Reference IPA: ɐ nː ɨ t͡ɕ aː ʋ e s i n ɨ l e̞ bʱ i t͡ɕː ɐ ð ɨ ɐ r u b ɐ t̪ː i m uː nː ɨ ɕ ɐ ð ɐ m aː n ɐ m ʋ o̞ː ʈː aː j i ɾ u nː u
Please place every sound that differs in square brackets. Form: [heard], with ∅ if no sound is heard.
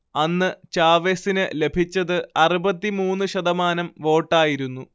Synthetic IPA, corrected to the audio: ɐ nː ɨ t͡ɕ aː ʋ e s i n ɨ l e̞ bʱ i t͡ɕː ɐ ð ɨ ɐ r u b ɐ t̪ː i m uː nː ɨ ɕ ɐ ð ɐ m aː n ɐ m ʋ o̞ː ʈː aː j i ɾ u nː u